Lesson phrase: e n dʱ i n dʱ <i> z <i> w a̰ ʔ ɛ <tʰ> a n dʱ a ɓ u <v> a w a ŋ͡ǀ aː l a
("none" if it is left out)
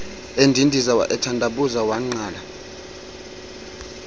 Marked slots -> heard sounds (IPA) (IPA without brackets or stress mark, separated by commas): i, a, tʰ, z